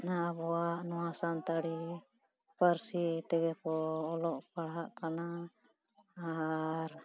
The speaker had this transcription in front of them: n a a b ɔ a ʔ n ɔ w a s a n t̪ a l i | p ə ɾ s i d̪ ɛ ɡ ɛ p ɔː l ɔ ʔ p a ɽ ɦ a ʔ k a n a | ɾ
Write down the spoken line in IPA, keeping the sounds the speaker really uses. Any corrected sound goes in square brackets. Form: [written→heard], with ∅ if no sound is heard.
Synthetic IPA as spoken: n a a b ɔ a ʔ n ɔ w a s a n t̪ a [l→ɽ] i | p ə ɾ s i [d̪→t̪] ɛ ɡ ɛ p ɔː l ɔ ʔ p a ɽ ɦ a ʔ k a n a | ɾ